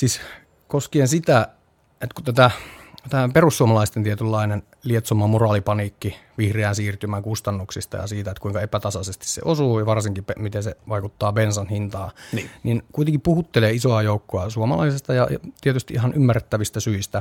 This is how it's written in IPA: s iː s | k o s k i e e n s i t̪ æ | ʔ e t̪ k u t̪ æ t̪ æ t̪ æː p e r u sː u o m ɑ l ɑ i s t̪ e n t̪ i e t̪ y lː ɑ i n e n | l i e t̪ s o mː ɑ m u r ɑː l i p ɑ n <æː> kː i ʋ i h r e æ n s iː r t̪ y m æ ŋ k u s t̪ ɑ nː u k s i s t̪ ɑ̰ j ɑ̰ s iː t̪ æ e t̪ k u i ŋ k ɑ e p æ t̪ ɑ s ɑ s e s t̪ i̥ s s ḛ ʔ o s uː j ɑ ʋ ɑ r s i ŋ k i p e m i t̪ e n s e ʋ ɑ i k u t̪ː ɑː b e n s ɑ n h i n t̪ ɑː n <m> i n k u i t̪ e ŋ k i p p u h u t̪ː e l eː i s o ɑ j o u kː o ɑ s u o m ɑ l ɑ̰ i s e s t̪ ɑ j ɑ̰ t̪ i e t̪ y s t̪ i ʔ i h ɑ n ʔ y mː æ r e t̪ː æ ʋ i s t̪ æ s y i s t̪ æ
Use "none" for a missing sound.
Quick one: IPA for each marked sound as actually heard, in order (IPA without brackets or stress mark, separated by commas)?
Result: iː, n